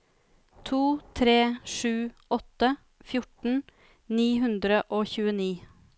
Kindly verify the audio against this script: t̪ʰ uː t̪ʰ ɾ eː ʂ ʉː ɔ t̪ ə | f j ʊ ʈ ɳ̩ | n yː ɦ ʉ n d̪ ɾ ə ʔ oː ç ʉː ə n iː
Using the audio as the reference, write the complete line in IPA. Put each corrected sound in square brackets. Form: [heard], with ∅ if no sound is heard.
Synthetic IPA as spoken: t̪ʰ uː t̪ʰ ɾ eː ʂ ʉː ɔ t̪ ə | f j ʊ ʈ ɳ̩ | n [iː] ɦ ʉ n d̪ ɾ ə ʔ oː ç ʉː ə n iː